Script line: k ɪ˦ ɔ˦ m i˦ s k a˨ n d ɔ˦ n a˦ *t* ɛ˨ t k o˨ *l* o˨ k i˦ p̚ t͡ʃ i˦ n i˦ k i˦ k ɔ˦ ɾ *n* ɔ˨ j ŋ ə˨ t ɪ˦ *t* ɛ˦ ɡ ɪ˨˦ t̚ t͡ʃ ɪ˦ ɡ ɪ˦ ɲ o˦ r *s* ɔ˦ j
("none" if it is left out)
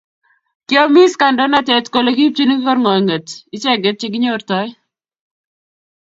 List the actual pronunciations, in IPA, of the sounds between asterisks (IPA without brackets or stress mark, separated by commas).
t, l, ŋ, t͡ʃ, t